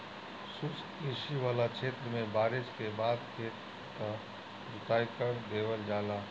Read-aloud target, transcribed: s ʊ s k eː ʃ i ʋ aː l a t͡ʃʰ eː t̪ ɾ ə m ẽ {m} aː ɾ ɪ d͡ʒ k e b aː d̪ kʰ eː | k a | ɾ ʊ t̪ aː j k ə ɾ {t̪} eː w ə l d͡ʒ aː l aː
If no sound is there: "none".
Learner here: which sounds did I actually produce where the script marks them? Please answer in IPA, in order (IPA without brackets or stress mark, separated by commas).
b, d̪